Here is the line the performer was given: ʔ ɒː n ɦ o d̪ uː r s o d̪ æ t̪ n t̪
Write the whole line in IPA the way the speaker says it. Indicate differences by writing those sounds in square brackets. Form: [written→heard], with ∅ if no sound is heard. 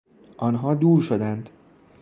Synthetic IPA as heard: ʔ [ɒː→ɒ] n ɦ [o→ɒ] d̪ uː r [s→ʃ] o d̪ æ [t̪→∅] n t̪